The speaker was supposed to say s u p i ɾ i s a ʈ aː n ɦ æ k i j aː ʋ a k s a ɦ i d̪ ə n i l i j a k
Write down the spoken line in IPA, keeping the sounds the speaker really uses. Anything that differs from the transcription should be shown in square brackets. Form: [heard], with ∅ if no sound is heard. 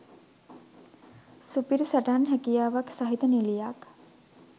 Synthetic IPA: s u p i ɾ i s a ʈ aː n ɦ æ k i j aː ʋ a k s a ɦ i [t̪] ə n i l i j a k